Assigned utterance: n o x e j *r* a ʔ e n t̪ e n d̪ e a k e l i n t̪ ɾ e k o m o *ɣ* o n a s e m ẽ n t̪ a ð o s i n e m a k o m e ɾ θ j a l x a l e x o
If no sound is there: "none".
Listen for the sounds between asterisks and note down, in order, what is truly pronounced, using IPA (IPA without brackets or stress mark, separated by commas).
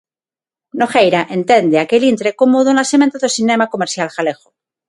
ɾ, ð